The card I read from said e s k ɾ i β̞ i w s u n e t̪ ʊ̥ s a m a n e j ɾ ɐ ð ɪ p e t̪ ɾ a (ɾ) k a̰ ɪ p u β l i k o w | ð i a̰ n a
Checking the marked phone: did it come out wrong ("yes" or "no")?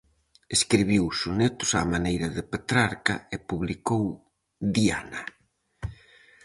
no